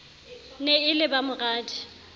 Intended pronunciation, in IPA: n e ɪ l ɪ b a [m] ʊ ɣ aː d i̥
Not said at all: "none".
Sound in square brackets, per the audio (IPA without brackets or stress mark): m